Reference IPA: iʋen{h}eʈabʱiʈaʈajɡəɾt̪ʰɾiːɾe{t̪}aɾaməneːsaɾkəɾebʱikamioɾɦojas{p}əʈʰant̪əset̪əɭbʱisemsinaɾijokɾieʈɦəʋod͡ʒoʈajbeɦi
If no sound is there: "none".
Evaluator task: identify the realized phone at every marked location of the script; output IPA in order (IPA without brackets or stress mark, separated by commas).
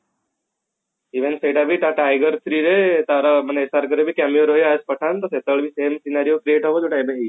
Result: s, t̪, p